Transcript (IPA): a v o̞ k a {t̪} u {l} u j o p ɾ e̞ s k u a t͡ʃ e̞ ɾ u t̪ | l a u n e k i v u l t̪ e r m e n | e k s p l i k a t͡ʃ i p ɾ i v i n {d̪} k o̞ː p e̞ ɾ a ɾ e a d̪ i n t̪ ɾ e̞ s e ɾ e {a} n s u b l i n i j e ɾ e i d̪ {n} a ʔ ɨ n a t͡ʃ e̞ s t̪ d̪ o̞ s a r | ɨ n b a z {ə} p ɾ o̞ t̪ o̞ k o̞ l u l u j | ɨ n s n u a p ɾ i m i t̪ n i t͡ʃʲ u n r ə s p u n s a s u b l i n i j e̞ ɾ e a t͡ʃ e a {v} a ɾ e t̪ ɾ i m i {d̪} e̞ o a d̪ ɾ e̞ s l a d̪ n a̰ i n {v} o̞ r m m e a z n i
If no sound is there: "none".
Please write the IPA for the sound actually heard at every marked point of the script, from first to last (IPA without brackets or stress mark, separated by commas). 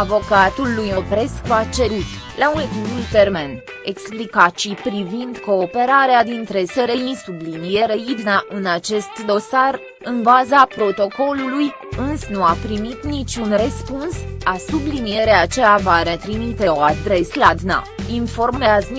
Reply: t̪, lː, d̪, i, n, a, v, t̪, f